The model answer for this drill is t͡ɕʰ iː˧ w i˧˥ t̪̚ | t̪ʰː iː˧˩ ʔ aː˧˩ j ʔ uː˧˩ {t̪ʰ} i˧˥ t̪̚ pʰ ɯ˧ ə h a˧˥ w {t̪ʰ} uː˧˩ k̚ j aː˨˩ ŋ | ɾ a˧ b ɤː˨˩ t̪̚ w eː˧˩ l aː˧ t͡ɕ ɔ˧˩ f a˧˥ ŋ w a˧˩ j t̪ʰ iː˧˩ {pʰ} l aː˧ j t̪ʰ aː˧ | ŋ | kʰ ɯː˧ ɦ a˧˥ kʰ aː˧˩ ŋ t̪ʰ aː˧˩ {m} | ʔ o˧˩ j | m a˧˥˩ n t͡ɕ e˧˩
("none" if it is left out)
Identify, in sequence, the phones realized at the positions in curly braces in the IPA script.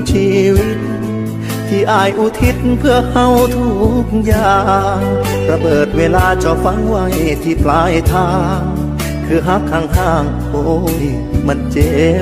t̪ʰ, t̪ʰ, p, ŋ

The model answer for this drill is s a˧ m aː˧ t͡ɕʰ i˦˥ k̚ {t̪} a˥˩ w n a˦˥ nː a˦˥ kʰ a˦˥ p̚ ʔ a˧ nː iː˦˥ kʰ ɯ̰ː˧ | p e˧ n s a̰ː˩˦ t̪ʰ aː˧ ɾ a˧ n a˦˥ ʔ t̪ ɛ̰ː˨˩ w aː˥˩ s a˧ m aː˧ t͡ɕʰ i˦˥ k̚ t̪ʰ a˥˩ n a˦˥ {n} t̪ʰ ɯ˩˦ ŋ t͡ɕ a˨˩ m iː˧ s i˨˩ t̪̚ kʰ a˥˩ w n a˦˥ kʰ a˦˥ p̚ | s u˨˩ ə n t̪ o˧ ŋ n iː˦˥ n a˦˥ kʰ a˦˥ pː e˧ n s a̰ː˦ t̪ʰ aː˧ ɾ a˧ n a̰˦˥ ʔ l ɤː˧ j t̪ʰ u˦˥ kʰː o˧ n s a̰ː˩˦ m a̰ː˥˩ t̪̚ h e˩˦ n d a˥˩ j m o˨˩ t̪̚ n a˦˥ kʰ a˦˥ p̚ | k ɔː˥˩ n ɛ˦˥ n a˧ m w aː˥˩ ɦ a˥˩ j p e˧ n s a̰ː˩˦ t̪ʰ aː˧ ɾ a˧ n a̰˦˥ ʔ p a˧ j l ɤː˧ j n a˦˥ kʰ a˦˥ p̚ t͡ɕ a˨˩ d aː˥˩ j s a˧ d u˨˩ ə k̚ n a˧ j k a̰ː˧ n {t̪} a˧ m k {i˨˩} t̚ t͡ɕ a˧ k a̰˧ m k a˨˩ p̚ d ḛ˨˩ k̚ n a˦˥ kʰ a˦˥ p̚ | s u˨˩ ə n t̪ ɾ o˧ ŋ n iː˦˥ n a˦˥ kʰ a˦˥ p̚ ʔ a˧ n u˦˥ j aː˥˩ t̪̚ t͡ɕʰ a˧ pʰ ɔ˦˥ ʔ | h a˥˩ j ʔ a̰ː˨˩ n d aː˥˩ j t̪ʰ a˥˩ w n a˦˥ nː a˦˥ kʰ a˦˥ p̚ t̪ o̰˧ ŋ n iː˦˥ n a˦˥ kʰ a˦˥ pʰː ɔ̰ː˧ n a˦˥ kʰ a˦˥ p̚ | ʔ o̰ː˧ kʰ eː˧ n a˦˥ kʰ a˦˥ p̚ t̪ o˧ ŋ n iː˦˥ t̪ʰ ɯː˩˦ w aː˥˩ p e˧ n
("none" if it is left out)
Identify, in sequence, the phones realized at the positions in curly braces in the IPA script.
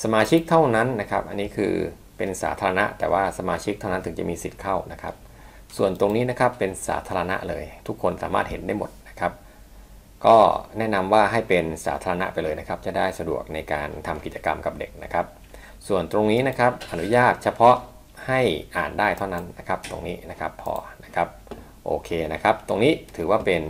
t̪ʰ, n, t̪ʰ, i˨˩

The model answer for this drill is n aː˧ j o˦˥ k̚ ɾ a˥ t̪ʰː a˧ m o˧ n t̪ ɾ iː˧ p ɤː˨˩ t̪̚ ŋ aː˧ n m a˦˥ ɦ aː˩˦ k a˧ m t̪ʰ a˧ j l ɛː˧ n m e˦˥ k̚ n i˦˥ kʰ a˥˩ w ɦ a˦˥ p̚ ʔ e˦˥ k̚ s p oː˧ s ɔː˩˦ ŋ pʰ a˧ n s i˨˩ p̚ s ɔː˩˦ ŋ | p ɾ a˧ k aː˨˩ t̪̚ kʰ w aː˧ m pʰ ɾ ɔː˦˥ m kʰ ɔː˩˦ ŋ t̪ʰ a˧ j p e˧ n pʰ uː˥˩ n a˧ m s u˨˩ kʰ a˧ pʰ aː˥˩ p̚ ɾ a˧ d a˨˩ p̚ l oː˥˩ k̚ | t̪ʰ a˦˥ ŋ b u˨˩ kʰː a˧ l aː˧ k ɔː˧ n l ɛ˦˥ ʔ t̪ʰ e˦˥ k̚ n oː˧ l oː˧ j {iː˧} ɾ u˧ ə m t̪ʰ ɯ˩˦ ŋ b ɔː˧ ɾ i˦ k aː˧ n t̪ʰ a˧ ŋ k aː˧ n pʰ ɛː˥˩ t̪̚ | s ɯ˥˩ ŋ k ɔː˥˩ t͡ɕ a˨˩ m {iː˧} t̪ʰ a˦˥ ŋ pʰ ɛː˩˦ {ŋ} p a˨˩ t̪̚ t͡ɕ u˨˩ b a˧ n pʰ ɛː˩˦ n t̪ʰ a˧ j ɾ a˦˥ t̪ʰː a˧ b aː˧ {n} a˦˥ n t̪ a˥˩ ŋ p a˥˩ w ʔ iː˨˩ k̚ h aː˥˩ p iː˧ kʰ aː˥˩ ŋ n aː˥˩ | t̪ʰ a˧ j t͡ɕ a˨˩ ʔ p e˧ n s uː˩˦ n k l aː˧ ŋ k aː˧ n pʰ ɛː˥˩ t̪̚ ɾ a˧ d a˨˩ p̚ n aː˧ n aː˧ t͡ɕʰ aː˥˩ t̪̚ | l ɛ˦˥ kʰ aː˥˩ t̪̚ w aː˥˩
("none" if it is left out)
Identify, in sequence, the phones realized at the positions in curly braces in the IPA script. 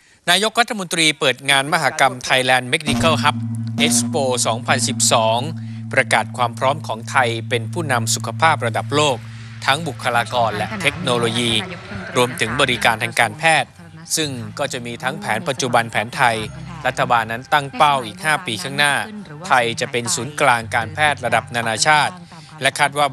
iː˧, iː˧, n, nː

